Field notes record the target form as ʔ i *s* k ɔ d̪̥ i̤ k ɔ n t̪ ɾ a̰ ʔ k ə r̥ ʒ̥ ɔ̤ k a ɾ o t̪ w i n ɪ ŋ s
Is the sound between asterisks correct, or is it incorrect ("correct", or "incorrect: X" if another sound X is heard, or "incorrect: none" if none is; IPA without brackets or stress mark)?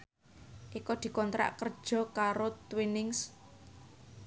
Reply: incorrect: none